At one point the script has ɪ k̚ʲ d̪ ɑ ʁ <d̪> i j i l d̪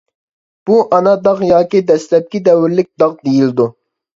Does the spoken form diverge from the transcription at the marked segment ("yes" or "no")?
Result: no